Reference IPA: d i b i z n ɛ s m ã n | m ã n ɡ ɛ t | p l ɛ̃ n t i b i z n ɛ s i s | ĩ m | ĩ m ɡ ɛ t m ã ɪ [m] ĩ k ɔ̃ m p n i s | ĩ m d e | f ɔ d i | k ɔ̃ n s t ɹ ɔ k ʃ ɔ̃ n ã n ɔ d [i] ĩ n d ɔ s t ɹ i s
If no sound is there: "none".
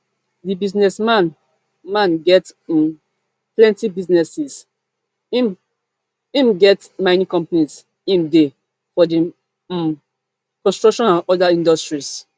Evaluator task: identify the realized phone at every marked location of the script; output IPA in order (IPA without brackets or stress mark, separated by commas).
n, a